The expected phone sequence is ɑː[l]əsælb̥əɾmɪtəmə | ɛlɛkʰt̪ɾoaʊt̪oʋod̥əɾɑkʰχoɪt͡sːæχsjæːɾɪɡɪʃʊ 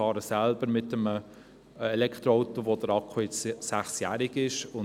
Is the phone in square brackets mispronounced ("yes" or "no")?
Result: yes